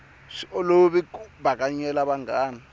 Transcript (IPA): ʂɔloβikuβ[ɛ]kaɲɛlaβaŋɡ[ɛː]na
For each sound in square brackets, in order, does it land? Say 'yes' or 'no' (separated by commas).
no, no